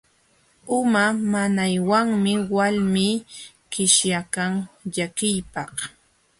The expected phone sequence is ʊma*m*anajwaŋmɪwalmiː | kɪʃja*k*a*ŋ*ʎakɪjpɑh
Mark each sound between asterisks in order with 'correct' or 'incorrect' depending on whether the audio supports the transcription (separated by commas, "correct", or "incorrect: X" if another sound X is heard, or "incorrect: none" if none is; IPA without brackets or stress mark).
correct, correct, correct